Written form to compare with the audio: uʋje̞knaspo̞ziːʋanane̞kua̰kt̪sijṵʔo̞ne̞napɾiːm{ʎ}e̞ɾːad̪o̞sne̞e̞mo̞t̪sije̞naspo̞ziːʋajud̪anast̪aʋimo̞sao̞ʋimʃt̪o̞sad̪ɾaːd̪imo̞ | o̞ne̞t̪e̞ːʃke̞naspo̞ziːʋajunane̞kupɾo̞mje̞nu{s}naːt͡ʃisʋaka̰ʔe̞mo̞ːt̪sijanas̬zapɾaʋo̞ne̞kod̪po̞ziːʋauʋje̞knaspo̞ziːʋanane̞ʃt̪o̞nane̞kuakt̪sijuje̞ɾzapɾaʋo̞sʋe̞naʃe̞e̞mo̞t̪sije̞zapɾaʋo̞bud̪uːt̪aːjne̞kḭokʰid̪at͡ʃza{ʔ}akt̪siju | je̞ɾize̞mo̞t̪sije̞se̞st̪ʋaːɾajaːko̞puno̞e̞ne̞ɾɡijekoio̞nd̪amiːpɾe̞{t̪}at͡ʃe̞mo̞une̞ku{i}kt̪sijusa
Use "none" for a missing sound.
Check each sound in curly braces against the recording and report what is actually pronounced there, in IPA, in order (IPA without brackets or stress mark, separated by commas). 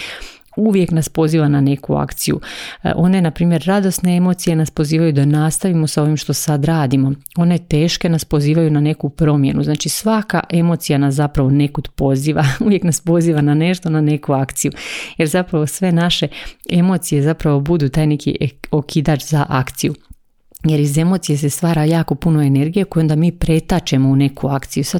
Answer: j, z, ʔ, t̪, a